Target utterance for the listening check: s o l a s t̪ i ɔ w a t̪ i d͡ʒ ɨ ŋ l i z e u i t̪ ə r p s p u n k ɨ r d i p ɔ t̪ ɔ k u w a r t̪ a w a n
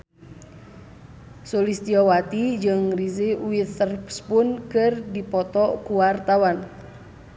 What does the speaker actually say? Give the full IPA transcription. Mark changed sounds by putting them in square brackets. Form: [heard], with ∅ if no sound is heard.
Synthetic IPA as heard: s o l [i] s t̪ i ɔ w a t̪ i d͡ʒ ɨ ŋ [r] i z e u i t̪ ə r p s p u n k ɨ r d i p ɔ t̪ ɔ k u w a r t̪ a w a n

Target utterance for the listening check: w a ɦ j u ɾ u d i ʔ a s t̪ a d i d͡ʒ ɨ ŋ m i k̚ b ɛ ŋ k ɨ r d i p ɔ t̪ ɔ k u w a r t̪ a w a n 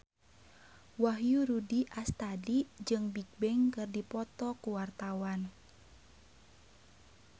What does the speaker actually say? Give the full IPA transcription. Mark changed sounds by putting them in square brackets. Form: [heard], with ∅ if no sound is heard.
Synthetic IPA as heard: w a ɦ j u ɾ u d i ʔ a s t̪ a d i d͡ʒ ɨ ŋ [b] i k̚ b ɛ ŋ k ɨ r d i p ɔ t̪ ɔ k u w a r t̪ a w a n

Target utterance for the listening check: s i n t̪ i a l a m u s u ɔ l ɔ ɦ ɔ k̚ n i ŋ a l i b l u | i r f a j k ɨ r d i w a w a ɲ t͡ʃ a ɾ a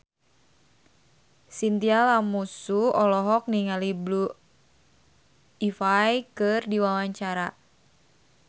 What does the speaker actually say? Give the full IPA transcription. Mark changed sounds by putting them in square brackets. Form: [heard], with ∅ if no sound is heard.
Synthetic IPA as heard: s i n t̪ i a l a m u s u ɔ l ɔ ɦ ɔ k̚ n i ŋ a l i b l u | i [∅] f a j k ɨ r d i w a w a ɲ t͡ʃ a ɾ a

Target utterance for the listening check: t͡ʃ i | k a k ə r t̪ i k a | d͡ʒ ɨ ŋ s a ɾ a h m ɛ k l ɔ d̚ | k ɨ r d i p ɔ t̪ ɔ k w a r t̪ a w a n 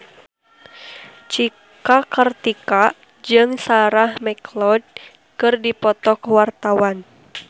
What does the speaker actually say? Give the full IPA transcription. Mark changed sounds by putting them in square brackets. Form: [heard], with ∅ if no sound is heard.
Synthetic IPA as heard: t͡ʃ i | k a k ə r t̪ i k a | d͡ʒ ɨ ŋ s a ɾ a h m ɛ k l ɔ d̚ | k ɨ r d i p ɔ t̪ ɔ k w a r t̪ a w a n

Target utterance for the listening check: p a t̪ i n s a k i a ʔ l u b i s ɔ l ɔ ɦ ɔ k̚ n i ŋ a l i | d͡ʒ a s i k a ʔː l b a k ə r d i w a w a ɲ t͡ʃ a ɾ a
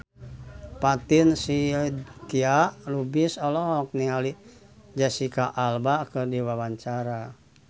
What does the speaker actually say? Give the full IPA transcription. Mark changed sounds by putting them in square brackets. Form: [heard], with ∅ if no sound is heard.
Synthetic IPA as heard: p a t̪ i n s [i] k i a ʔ l u b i s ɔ l ɔ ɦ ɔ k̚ n i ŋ a l i | d͡ʒ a s i k a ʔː l b a k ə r d i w a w a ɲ t͡ʃ a ɾ a

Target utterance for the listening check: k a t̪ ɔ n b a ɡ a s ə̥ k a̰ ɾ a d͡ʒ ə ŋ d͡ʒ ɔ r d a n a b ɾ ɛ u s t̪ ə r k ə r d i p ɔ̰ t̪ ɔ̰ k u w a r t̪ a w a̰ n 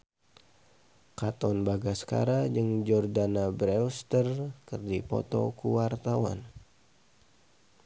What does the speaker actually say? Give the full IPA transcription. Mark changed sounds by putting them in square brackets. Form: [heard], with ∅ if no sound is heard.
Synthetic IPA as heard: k a t̪ ɔ n b a ɡ a s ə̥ k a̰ ɾ a d͡ʒ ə ŋ d͡ʒ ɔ r d a n a b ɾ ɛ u s t̪ ə r k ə r d i p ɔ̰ t̪ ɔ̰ k u w a r t̪ a w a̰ n

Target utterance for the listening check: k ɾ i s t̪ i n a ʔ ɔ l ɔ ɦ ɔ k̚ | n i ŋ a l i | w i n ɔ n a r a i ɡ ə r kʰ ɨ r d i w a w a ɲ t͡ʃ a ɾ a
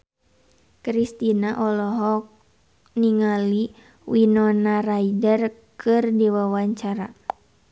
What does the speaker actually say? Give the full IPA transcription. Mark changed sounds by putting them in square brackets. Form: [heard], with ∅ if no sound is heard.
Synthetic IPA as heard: k ɾ i s t̪ i n a ʔ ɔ l ɔ ɦ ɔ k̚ | n i ŋ a l i | w i n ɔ n a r a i [d] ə r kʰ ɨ r d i w a w a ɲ t͡ʃ a ɾ a

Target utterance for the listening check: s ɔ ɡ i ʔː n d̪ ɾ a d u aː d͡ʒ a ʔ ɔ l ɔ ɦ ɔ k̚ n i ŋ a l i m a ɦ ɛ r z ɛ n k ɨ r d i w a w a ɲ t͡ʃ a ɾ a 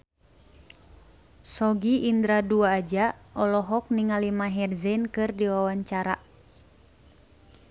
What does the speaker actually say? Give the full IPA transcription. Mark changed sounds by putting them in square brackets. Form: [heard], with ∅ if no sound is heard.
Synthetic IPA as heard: s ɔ ɡ i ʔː n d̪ ɾ a d u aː d͡ʒ a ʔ ɔ l ɔ ɦ ɔ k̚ n i ŋ a l i m a ɦ ɛ r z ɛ n k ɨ r d i w a w a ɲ t͡ʃ a ɾ a

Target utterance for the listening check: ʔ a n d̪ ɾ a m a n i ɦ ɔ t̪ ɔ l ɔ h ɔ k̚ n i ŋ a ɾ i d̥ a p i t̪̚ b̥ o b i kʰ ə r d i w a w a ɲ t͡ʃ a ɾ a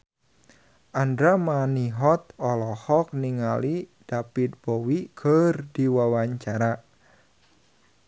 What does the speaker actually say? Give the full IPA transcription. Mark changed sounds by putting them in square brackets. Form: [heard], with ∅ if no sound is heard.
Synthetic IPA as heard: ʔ a n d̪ ɾ a m a n i ɦ ɔ t̪ ɔ l ɔ h ɔ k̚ n i ŋ a [l] i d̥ a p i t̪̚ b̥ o [w] i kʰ ə r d i w a w a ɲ t͡ʃ a ɾ a

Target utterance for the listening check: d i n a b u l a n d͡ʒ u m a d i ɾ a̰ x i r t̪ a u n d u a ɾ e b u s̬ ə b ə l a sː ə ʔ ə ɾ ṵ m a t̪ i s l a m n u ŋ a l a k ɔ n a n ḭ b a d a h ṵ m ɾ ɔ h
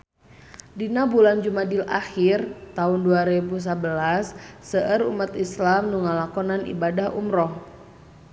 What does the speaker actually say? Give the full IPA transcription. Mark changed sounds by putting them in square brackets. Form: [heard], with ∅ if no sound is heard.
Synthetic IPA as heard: d i n a b u l a n d͡ʒ u m a d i [l] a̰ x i r t̪ a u n d u a ɾ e b u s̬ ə b ə l a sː ə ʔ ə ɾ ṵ m a t̪ i s l a m n u ŋ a l a k ɔ n a n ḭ b a d a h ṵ m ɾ ɔ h

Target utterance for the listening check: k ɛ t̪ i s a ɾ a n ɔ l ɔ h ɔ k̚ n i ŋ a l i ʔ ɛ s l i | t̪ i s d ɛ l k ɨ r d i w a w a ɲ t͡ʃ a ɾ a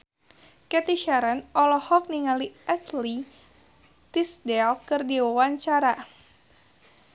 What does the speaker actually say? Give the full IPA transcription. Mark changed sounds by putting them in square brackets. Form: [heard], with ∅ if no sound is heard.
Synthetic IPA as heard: k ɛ t̪ i [ʃ] a ɾ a n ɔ l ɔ h ɔ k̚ n i ŋ a l i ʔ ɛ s l i | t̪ i s d ɛ l k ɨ r d i w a w a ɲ t͡ʃ a ɾ a

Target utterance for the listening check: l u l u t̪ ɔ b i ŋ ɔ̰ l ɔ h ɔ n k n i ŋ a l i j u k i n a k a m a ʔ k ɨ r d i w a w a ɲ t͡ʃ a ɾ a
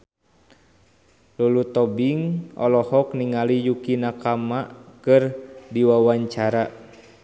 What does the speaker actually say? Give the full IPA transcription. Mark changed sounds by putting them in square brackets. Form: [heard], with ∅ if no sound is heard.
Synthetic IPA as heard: l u l u t̪ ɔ b i ŋ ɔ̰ l ɔ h ɔ [∅] k n i ŋ a l i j u k i n a k a m a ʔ k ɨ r d i w a w a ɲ t͡ʃ a ɾ a

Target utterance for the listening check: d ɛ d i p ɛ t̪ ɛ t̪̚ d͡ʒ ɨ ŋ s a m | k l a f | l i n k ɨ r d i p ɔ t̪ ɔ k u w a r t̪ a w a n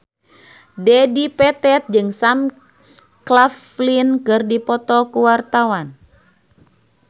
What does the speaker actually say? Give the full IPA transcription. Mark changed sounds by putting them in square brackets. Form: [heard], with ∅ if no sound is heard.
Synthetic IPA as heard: d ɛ d i p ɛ t̪ ɛ t̪̚ d͡ʒ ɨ ŋ s a m | k l a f | l i n k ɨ r d i p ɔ t̪ ɔ k u w a r t̪ a w a n

